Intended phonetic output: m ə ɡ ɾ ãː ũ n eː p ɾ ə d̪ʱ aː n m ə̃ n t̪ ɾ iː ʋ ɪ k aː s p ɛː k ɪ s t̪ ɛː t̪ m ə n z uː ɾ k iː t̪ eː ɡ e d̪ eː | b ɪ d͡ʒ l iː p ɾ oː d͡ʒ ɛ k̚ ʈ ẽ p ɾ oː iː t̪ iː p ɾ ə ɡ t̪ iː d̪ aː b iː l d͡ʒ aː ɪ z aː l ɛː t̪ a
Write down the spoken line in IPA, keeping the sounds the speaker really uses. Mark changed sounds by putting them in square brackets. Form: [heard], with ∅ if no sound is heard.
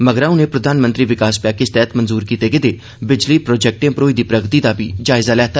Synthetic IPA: m ə ɡ ɾ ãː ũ n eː p ɾ ə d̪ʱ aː n m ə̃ n t̪ ɾ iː ʋ ɪ k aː s p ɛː k ɪ s t̪ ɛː t̪ m ə n z uː ɾ k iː t̪ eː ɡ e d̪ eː | b ɪ d͡ʒ l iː p ɾ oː d͡ʒ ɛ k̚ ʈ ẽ p ɾ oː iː [d̪] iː p ɾ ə ɡ t̪ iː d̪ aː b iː [∅] d͡ʒ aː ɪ z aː l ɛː t̪ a